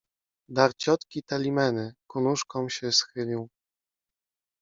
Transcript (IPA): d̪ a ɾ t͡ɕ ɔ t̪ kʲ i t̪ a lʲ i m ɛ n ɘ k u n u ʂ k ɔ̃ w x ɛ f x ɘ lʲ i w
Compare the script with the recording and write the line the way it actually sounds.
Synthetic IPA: d̪ a ɾ t͡ɕ ɔ t̪ kʲ i t̪ a lʲ i m ɛ n ɘ k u n u ʂ k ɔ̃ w ɕ ɛ s x ɘ lʲ i w